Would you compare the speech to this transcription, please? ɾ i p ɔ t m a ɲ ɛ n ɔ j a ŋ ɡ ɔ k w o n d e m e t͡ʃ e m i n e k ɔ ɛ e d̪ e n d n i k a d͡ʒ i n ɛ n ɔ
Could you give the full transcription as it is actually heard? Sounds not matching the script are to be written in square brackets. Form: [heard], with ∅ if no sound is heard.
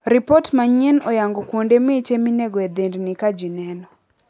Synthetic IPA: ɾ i p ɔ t m a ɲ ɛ n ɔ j a ŋ ɡ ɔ k w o n d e m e t͡ʃ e m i n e [ɡ] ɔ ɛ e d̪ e n d n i k a d͡ʒ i n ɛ n ɔ